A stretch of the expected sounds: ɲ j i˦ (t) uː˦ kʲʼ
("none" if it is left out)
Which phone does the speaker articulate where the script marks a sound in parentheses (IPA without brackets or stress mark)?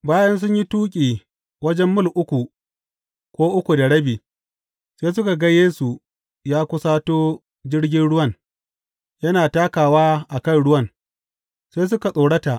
t